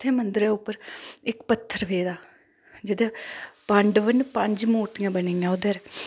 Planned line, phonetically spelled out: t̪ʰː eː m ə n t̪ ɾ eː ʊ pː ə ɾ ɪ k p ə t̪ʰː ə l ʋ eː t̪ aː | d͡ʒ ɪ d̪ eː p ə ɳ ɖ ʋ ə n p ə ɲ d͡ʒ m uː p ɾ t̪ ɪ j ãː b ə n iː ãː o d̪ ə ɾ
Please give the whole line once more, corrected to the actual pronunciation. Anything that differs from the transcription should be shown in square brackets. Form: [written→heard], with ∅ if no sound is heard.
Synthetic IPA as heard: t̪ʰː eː m ə n [t̪→d̪] ɾ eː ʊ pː ə ɾ ɪ k p ə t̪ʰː ə [l→ɾ] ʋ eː [t̪→d̪] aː | d͡ʒ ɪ d̪ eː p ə ɳ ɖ ʋ ə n p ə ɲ d͡ʒ m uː [p→∅] ɾ t̪ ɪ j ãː b ə n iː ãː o d̪ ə ɾ